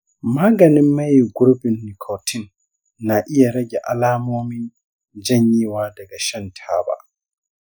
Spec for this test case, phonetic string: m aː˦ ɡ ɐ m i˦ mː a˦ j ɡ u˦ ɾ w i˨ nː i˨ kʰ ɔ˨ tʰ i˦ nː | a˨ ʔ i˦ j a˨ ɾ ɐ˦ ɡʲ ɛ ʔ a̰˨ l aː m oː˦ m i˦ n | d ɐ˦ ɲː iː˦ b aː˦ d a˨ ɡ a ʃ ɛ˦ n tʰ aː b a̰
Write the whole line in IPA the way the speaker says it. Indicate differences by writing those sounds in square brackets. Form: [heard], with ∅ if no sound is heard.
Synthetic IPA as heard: m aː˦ ɡ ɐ [n] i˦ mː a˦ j ɡ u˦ ɾ [b] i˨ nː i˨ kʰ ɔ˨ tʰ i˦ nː | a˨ ʔ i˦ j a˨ ɾ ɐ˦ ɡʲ ɛ ʔ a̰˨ l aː m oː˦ m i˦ n | [d͡ʒ] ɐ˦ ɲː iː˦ [w] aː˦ d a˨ ɡ a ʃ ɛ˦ n tʰ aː b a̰